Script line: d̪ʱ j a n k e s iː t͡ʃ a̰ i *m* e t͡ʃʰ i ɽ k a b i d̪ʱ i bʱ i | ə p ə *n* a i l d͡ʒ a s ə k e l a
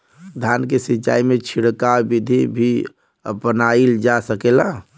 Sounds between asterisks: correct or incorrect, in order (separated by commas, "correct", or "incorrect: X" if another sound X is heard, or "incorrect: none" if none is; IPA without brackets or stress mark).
correct, correct